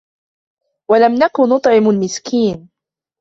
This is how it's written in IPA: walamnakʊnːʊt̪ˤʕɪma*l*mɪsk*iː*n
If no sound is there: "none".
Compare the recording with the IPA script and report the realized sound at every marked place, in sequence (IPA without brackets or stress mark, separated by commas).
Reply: l, iː